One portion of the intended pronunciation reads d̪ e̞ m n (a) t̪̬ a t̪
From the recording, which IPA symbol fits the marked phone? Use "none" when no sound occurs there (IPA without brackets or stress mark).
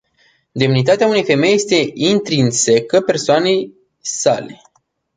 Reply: i